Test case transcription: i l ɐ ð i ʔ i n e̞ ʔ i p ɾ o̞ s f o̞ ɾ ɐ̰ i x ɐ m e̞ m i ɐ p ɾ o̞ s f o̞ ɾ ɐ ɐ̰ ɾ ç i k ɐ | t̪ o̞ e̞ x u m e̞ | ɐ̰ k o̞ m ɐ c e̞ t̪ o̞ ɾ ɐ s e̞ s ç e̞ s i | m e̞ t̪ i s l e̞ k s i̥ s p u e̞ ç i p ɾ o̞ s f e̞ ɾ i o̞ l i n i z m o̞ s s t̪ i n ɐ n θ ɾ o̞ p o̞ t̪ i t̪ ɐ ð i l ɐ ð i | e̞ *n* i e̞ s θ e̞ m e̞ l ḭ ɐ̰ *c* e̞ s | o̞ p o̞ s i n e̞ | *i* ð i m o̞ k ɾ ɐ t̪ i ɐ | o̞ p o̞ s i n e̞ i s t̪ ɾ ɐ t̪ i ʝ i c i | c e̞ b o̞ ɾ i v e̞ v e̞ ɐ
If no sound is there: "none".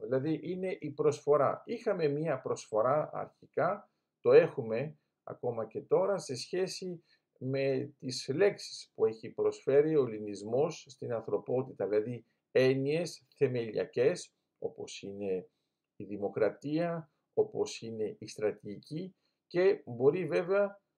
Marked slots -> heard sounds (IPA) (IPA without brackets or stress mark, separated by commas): n, c, i